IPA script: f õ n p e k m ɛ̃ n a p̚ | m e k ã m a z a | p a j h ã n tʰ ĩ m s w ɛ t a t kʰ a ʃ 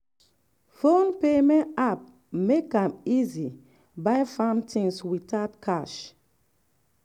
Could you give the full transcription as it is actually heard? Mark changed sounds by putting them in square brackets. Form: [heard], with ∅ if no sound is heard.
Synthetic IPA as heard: f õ n p e [∅] m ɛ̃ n a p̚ | m e k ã m [i] z [i] | [b] a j [f] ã n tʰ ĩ [ŋ] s w [i] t a t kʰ a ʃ